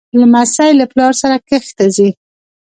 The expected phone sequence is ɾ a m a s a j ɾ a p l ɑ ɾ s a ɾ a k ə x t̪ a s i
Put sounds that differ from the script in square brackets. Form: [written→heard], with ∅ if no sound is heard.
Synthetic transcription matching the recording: [ɾ→l] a m a s a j [ɾ→l] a p l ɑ ɾ s a ɾ a k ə x t̪ a [s→z] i